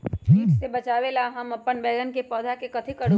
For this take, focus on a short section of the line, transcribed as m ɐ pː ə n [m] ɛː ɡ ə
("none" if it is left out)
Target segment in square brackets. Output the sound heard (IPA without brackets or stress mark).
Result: b